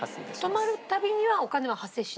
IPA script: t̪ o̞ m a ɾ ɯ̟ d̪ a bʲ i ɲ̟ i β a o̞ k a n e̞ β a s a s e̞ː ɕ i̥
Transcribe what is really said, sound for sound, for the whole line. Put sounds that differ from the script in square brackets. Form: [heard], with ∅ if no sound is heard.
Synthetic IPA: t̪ o̞ m a ɾ ɯ̟ [t̪] a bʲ i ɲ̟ i β a o̞ k a n e̞ β a [h] a s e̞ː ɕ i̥